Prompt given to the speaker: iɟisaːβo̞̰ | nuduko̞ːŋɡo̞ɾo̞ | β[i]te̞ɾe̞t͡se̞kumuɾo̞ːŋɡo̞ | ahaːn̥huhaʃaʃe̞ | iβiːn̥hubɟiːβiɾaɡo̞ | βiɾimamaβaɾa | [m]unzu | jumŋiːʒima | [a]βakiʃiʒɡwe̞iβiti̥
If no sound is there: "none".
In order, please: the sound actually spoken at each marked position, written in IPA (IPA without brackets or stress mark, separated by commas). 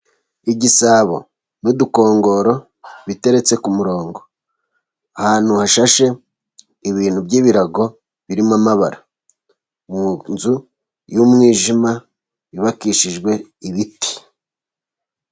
i, m, i